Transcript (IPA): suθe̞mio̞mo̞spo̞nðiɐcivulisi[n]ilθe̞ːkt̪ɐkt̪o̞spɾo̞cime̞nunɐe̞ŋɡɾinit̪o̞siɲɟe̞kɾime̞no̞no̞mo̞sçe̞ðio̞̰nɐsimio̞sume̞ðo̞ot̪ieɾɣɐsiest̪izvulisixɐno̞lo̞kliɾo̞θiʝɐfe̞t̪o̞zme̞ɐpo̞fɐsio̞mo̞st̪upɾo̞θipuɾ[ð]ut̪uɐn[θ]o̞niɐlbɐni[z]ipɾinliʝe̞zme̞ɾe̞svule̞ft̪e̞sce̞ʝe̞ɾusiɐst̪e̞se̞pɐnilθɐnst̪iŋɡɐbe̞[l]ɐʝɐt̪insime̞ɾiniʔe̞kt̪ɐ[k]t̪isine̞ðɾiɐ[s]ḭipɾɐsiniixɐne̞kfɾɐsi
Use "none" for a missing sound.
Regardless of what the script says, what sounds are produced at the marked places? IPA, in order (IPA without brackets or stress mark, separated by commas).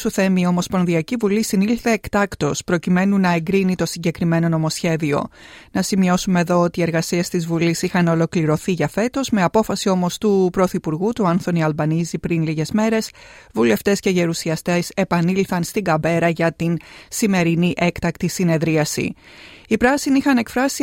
n, ɣ, θ, z, ɾ, k, s